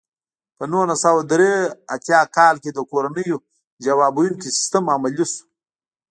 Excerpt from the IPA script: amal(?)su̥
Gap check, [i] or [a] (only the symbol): i